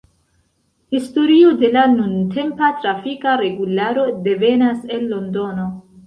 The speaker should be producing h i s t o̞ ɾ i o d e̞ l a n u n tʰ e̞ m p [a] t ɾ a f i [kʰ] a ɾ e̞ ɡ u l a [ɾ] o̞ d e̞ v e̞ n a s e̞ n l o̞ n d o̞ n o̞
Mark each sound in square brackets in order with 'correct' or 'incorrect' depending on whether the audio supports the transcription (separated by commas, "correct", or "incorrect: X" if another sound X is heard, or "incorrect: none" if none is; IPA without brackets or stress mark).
correct, incorrect: k, correct